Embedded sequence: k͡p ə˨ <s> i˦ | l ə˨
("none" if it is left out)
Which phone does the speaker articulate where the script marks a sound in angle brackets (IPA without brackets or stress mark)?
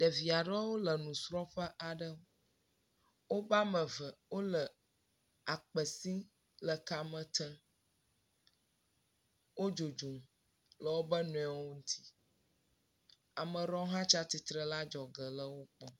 s